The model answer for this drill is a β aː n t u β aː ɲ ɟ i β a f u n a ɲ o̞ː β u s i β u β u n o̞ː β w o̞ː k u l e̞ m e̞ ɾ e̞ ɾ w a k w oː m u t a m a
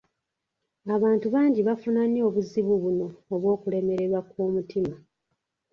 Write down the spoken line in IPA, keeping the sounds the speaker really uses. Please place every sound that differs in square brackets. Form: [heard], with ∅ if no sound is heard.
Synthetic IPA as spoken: a β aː n t u β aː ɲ ɟ i β a f u n a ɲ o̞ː β u [z] i β u β u n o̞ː β w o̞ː k u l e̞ m e̞ ɾ e̞ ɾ w a k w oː m u t [i] m a